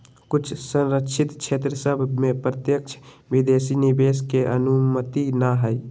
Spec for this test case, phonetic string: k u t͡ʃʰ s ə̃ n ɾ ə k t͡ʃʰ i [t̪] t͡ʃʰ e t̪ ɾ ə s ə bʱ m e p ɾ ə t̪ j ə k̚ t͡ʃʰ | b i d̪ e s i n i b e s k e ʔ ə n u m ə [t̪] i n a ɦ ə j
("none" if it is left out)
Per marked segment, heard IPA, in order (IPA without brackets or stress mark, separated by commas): t̪, t̪